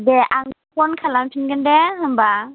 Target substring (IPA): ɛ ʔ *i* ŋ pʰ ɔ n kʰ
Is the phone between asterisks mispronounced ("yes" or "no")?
yes